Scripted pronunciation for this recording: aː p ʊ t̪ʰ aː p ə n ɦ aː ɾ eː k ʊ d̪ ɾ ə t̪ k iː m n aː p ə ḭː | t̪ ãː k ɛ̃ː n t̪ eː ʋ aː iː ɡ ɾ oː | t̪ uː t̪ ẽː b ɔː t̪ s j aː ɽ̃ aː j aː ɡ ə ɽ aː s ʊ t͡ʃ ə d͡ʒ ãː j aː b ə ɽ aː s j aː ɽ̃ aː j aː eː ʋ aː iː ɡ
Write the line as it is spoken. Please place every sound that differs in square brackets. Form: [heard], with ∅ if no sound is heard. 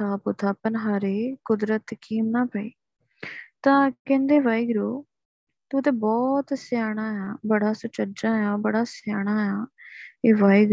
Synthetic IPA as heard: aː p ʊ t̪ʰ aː p ə n ɦ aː ɾ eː k ʊ d̪ ɾ ə t̪ k iː m n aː p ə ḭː | t̪ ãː k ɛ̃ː n [d̪] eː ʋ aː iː ɡ ɾ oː | t̪ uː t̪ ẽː b ɔː t̪ s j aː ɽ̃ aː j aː [b] ə ɽ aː s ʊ t͡ʃ ə d͡ʒ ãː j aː b ə ɽ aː s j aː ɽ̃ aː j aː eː ʋ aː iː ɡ